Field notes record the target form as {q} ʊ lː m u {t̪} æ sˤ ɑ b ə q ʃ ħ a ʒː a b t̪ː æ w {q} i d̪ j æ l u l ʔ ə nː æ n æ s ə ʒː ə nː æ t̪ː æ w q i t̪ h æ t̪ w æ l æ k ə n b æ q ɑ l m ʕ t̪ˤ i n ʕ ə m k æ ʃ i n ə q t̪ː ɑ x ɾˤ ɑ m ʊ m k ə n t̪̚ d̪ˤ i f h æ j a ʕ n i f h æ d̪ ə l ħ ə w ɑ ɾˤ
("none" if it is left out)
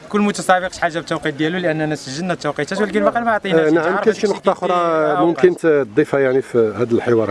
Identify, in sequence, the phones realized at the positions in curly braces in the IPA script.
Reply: k, t̪, q

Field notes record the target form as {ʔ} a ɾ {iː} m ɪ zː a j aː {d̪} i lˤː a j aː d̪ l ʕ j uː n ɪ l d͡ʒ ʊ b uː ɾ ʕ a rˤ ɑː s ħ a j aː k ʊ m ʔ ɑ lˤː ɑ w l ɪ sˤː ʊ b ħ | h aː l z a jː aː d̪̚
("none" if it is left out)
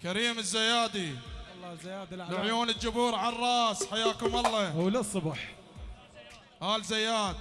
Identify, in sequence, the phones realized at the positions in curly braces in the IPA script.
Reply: k, iː, d̪

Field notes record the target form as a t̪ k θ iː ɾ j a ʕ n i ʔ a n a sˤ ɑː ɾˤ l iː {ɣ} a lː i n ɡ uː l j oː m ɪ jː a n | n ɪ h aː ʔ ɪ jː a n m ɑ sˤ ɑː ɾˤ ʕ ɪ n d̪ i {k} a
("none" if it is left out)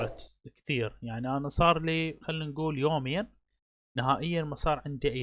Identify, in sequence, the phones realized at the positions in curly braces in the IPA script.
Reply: x, ʔ

